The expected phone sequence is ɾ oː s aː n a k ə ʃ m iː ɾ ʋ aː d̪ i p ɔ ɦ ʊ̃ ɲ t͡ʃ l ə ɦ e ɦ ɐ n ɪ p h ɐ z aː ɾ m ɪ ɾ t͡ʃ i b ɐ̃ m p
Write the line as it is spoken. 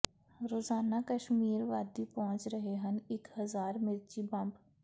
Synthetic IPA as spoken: ɾ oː z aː n a k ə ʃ m iː ɾ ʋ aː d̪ i p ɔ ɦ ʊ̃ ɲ t͡ʃ ɾ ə ɦ e ɦ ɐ n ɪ k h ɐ z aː ɾ m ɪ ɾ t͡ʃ i b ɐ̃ m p